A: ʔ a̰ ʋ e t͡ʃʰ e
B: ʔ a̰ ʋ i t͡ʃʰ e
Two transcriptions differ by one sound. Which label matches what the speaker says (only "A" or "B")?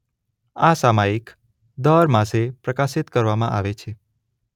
A